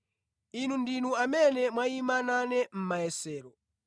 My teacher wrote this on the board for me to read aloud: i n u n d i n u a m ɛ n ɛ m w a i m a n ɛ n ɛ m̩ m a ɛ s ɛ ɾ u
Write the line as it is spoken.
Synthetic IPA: i n u n d i n u a m ɛ n ɛ m w a i m a n a n ɛ m̩ m a ɛ s ɛː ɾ ɔ